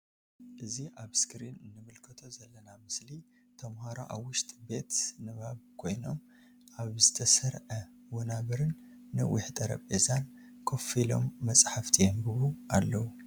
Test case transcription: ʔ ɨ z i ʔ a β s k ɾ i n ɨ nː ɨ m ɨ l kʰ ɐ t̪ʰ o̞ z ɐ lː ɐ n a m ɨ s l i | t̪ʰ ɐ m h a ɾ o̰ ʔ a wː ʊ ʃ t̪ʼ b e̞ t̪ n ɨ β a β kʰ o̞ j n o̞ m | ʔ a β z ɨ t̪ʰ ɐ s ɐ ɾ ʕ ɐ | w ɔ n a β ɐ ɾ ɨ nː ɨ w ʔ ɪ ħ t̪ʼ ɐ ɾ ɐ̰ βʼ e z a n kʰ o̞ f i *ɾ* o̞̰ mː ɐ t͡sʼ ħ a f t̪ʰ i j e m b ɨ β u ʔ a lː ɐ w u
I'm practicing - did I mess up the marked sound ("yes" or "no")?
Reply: yes